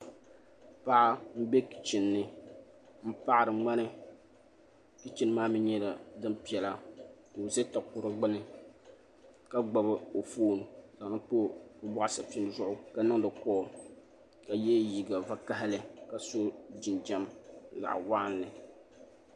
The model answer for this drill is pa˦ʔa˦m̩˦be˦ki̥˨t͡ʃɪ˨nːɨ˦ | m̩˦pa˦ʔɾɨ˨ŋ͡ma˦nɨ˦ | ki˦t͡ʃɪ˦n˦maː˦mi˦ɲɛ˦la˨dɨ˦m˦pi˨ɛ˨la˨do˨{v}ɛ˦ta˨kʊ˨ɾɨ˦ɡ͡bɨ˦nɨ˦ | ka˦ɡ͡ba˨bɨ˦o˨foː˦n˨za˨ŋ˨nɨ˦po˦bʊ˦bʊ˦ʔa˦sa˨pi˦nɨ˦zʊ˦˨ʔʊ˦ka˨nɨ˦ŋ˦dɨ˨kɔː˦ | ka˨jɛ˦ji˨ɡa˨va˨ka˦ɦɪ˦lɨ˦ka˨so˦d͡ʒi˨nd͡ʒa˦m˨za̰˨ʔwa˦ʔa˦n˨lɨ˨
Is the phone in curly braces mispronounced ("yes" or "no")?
yes